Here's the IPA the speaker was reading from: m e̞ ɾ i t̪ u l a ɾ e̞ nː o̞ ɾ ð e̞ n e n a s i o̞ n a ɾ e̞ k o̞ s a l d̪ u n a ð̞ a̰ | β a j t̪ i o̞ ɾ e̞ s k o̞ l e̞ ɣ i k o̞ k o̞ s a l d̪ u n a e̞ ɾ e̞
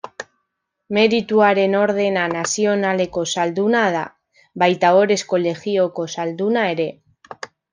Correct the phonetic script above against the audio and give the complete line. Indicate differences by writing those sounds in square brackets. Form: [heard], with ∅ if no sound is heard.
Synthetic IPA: m e̞ ɾ i t̪ u [∅] a ɾ e̞ [n] o̞ ɾ ð e̞ n [a] n a s i o̞ n a [l] e̞ k o̞ s a l d̪ u n a ð̞ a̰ | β a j t̪ [a] o̞ ɾ e̞ s k o̞ l e̞ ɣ i [∅] o̞ k o̞ s a l d̪ u n a e̞ ɾ e̞